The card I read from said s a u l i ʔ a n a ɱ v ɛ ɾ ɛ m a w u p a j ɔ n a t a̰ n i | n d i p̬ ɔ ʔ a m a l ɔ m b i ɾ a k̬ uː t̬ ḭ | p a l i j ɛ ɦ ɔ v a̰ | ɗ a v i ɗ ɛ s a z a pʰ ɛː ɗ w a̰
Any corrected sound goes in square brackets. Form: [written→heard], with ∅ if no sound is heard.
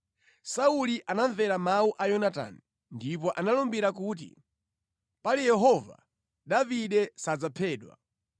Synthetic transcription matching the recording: s a u l i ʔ a n a ɱ v ɛ ɾ [ɛ→a] m a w u [p→ʔ] a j ɔ n a t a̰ n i | n d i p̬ ɔ ʔ a [m→n] a l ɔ m b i ɾ a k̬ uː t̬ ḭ | p a l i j ɛ ɦ ɔ v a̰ | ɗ a v i ɗ ɛ s a [z→d͡z] a pʰ ɛː ɗ w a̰